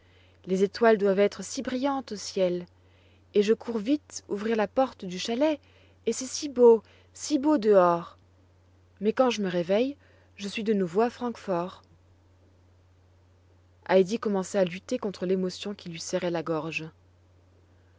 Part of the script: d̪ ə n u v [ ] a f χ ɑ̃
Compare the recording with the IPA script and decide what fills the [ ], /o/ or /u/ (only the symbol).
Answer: o